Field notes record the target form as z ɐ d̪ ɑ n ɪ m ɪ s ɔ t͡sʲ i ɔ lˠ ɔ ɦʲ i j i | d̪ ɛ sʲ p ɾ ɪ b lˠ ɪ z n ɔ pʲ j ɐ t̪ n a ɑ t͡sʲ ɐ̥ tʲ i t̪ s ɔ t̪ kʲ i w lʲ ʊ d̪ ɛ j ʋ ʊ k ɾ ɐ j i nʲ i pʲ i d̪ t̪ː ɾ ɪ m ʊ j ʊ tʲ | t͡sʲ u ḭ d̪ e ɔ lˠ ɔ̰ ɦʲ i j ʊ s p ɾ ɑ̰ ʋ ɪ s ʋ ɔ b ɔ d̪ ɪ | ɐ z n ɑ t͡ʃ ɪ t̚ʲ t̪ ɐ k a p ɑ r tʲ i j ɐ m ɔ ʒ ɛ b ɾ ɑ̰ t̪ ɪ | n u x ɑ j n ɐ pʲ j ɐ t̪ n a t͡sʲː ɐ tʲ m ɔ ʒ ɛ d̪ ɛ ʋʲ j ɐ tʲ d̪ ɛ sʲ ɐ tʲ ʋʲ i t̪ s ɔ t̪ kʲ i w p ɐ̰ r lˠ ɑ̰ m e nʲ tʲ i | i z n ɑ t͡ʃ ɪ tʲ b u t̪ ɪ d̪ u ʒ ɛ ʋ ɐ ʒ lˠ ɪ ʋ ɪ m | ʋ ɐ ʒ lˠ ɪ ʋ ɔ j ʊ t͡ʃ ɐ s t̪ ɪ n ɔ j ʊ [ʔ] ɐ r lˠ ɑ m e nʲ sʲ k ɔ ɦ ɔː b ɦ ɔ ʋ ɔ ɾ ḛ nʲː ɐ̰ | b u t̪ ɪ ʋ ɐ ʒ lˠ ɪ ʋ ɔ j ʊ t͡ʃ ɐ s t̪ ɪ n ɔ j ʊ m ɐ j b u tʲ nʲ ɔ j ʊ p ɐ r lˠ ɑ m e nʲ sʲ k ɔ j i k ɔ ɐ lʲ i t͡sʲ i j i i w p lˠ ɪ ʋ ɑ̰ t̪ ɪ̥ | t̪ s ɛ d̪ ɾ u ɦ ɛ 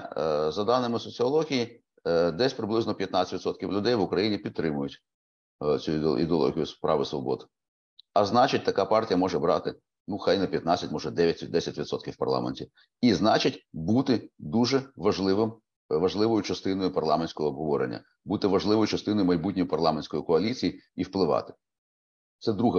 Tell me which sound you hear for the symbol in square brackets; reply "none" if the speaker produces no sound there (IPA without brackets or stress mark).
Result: p